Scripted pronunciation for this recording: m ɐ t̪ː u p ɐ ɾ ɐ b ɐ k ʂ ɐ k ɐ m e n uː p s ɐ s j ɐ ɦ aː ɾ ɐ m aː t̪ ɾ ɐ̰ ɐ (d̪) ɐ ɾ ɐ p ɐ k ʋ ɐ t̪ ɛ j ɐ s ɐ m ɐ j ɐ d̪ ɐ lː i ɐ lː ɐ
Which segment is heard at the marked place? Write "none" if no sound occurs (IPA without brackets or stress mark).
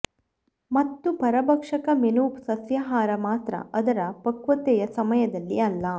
d̪